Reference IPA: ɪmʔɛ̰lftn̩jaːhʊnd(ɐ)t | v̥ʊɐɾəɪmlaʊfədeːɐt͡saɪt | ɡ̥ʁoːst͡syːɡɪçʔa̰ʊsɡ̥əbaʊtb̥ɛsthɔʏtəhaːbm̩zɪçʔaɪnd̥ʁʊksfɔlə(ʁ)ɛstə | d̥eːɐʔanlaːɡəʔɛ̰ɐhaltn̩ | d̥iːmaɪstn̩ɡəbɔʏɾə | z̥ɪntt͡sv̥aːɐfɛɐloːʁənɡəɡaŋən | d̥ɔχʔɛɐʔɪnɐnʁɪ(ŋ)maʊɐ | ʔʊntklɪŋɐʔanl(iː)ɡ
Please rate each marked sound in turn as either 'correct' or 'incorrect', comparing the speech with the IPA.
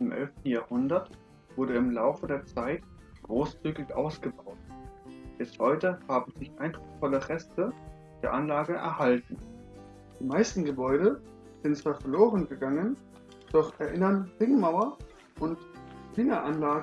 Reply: correct, correct, correct, incorrect: aː

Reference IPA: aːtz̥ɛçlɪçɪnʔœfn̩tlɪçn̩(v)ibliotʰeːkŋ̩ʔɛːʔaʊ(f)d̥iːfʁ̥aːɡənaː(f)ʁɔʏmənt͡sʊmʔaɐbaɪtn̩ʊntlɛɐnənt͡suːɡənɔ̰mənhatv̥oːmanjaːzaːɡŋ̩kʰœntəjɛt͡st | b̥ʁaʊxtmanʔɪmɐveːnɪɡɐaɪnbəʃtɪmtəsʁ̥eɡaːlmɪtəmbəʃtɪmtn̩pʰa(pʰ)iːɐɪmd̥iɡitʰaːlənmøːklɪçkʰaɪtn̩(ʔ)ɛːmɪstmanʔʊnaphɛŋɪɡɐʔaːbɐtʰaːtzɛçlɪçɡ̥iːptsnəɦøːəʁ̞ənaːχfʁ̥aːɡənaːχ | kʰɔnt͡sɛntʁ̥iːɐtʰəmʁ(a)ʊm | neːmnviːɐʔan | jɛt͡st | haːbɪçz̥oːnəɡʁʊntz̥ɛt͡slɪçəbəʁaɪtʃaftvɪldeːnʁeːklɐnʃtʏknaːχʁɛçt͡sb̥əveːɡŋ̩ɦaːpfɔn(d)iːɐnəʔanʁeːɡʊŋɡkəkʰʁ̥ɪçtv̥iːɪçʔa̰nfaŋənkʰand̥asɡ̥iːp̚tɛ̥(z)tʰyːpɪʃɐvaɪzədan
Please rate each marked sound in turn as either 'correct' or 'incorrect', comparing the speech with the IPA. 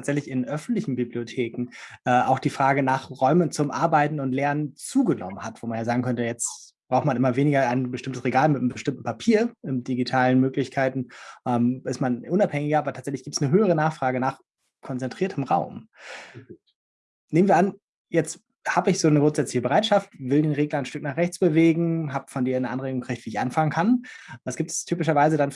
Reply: incorrect: b, incorrect: x, incorrect: χ, correct, correct, correct, correct, incorrect: s

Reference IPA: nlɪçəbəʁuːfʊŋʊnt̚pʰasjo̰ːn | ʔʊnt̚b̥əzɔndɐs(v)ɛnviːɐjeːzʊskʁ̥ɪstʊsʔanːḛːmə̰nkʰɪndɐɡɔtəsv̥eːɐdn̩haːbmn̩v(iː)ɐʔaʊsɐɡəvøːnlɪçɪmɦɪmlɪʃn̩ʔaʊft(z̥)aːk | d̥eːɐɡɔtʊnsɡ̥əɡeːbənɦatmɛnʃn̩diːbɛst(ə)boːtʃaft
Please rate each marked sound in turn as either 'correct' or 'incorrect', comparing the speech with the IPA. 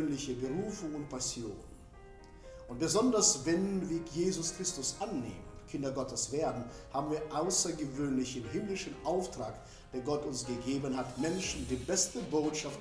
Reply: correct, correct, incorrect: ʁ̥, correct

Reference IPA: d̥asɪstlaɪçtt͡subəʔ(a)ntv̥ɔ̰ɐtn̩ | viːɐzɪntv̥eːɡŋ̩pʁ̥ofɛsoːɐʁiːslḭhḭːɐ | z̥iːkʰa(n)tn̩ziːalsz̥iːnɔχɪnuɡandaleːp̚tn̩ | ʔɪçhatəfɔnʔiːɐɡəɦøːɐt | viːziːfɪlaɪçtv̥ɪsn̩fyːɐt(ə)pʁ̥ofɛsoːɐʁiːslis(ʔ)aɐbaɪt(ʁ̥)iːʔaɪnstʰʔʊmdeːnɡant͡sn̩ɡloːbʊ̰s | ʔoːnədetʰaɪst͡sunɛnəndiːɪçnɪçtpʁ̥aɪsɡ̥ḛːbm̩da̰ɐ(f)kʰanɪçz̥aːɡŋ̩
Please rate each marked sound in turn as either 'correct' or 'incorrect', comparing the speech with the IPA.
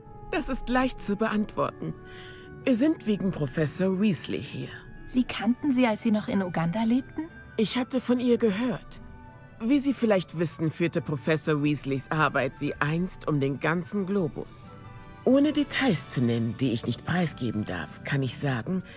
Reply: correct, correct, correct, correct, incorrect: z̥, correct

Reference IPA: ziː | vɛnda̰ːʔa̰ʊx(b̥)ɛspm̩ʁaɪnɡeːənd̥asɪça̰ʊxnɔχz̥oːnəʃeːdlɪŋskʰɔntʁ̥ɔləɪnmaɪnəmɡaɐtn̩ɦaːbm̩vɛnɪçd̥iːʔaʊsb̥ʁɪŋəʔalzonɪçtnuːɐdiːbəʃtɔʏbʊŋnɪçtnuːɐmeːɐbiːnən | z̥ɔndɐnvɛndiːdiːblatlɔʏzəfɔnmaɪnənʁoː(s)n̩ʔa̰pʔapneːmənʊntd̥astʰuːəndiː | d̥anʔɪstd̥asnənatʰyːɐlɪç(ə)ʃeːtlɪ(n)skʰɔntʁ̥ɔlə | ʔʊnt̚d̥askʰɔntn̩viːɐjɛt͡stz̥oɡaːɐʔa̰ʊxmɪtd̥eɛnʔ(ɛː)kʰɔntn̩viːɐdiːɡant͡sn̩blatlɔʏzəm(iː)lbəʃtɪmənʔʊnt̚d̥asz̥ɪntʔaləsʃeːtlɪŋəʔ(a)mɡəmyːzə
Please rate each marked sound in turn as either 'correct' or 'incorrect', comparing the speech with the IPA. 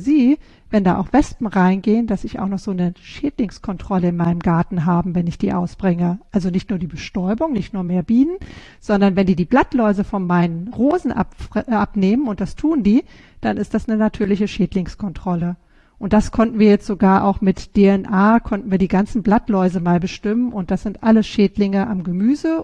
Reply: incorrect: v̥, incorrect: z, correct, incorrect: ŋ, incorrect: aː, incorrect: aː, correct

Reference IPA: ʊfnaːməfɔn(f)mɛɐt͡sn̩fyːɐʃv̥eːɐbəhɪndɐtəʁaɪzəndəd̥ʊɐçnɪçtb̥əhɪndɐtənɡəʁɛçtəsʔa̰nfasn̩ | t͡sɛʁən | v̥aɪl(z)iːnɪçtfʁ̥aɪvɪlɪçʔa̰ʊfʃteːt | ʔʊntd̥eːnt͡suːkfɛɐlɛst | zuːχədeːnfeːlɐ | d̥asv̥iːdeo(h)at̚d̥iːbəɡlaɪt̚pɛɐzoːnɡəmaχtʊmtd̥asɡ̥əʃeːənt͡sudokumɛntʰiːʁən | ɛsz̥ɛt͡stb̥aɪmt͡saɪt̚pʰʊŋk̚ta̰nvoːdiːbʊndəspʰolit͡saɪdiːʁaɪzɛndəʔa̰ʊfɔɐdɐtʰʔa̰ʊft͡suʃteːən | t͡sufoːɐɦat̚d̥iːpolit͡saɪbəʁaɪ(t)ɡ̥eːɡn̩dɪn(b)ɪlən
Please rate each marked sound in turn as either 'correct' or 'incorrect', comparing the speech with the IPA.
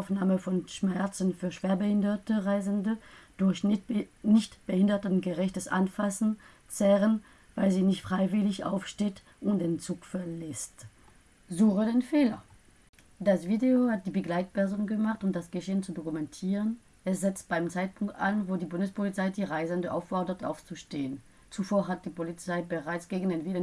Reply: incorrect: ʃ, correct, correct, incorrect: t͡s, incorrect: v

